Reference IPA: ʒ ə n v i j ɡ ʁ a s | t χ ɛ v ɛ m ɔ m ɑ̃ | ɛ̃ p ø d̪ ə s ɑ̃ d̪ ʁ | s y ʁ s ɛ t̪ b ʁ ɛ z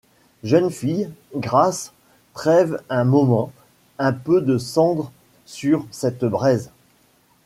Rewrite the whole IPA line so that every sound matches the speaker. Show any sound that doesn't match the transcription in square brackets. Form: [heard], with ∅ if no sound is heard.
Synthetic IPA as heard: ʒ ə n [f] i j ɡ ʁ a s | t χ ɛ v [ɛ̃] m ɔ m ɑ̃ | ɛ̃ p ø d̪ ə s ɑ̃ d̪ ʁ | s y ʁ s ɛ t̪ b ʁ ɛ z